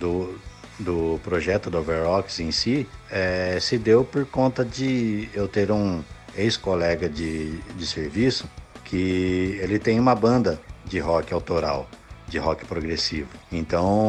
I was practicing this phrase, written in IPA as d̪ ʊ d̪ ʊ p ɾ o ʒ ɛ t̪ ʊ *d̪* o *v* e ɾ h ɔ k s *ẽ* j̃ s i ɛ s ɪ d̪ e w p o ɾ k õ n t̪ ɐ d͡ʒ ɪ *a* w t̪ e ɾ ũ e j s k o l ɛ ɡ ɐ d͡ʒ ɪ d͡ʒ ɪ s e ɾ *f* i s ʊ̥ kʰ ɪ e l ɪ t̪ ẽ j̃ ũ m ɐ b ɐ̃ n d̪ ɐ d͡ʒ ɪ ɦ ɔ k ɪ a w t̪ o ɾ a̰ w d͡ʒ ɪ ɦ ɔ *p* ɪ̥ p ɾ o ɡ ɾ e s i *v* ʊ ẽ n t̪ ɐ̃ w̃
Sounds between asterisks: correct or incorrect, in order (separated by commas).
correct, correct, correct, incorrect, incorrect, incorrect, correct